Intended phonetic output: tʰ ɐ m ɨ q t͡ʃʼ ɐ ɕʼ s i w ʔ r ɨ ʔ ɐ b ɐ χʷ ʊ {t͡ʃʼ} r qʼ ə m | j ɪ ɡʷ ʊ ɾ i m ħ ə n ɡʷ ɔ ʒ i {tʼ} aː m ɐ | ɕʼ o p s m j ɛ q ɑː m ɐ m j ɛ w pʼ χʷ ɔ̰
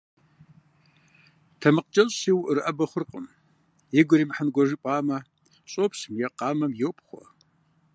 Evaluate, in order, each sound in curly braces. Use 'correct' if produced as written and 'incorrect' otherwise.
incorrect: none, incorrect: pʼ

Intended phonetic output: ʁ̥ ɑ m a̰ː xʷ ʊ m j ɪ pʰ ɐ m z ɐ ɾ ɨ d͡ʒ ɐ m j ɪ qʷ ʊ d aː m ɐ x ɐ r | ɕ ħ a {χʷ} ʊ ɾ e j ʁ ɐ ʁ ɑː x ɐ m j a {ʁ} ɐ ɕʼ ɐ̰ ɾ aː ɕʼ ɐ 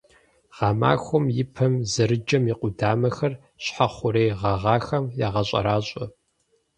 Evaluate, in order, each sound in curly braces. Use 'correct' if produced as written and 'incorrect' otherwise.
correct, correct

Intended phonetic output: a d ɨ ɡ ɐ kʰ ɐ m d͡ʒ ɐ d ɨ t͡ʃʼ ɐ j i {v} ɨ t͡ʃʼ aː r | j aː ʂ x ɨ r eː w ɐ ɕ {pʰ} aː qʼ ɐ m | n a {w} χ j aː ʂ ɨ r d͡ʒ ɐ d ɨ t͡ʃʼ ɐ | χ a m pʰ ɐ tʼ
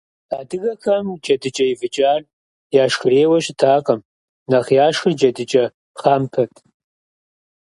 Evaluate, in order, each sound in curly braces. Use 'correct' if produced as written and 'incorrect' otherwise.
correct, incorrect: tʰ, incorrect: none

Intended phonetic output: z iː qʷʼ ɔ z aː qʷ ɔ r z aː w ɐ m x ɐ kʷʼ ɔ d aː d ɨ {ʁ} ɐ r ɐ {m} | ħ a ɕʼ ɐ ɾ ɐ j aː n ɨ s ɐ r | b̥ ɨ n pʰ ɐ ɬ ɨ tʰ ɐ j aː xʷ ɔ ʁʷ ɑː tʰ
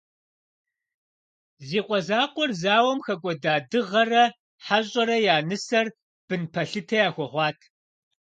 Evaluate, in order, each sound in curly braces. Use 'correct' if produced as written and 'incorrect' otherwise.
correct, incorrect: none

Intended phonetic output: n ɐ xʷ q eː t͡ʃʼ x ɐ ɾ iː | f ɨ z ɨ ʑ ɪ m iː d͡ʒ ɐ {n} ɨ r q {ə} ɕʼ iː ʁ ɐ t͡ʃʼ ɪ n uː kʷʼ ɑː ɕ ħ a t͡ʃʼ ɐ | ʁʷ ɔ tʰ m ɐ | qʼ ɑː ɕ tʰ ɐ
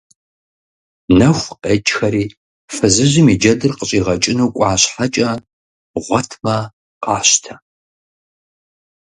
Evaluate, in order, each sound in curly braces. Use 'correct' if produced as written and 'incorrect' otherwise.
incorrect: d, correct

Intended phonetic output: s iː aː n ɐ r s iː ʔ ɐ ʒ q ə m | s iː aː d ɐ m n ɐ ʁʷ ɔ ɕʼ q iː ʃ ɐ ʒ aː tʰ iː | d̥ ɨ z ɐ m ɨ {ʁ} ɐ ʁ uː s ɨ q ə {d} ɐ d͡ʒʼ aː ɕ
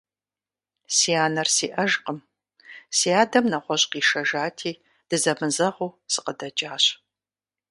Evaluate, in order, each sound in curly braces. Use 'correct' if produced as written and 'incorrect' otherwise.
incorrect: z, correct

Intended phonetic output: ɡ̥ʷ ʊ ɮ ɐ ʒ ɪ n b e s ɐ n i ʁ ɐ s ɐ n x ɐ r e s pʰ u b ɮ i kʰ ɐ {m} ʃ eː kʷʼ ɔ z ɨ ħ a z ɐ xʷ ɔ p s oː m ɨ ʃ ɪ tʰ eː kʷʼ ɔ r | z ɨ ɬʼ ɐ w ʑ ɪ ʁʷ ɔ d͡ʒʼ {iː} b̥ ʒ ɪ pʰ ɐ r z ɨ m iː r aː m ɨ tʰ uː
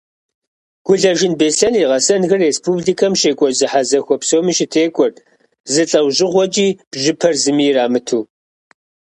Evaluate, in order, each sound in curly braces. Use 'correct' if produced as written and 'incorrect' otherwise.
correct, correct

